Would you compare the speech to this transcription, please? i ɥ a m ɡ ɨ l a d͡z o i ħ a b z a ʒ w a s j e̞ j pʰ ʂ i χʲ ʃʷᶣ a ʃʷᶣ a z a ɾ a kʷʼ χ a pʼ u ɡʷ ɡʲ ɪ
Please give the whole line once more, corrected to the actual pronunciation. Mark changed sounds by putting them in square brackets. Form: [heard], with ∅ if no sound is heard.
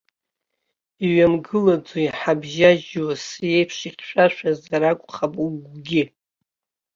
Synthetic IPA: i ɥ a m ɡ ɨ l a d͡z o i ħ a b [ʒ] a ʒ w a s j e̞ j pʰ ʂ i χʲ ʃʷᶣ a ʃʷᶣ a z a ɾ a kʷʼ χ a pʼ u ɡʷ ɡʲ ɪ